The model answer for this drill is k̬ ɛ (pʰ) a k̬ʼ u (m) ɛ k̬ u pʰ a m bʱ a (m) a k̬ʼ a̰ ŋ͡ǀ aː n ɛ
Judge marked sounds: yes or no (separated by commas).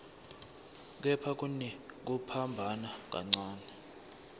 yes, no, no